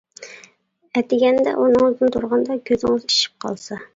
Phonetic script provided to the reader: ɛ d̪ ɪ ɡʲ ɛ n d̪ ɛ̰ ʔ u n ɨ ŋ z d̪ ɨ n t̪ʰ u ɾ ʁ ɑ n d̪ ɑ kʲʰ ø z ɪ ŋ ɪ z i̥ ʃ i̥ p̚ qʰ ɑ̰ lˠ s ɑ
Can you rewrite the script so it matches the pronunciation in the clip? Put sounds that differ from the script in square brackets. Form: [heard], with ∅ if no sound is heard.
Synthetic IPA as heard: ɛ [t̪] ɪ ɡʲ ɛ n d̪ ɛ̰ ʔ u n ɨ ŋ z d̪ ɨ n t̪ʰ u ɾ ʁ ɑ n d̪ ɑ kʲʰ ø z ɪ ŋ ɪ z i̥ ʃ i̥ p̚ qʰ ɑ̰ lˠ s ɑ